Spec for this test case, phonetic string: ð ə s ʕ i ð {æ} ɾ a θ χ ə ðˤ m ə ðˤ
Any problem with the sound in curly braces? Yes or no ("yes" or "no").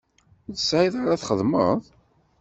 yes